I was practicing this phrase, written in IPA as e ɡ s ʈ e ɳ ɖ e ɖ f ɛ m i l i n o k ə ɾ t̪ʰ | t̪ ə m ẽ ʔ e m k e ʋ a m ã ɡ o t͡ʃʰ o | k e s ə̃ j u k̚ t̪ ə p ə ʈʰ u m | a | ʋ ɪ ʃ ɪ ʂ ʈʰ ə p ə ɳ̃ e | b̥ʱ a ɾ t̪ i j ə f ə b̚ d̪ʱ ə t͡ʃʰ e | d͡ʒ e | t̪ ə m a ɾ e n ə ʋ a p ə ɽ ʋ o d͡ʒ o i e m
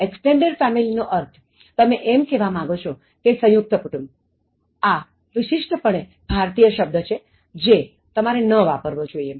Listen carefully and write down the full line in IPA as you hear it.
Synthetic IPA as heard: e k s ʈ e ɳ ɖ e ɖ f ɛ m i l i n o ʔ ə ɾ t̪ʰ | t̪ ə m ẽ ʔ e m k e ʋ a m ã ɡ o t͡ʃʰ o | k e s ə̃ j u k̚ t̪ ə p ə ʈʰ u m | a | ʋ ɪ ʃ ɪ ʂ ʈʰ ə p ə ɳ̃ e | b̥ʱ a ɾ t̪ i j ə ʃ ə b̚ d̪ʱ ə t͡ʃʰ e | d͡ʒ e | t̪ ə m a ɾ e n ə ʋ a p ə ɾ ʋ o d͡ʒ o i e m